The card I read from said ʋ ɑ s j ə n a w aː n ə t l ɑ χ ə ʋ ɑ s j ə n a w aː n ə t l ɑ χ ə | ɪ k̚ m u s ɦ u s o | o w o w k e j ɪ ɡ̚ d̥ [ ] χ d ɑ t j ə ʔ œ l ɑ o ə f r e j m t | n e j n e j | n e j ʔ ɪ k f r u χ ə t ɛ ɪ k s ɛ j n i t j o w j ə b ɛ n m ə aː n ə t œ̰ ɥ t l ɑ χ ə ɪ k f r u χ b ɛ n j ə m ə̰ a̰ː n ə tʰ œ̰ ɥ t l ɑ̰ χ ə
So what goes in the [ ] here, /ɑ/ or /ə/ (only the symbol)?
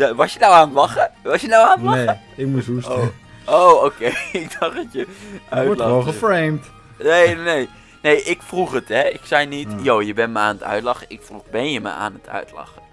ɑ